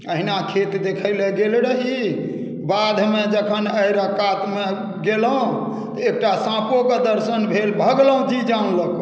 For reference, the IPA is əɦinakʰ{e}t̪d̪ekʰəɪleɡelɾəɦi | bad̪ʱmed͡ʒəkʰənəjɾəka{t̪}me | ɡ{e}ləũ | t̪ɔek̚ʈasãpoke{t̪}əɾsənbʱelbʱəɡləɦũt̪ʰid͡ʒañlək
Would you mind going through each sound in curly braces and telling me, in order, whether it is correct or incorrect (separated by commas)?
correct, correct, correct, incorrect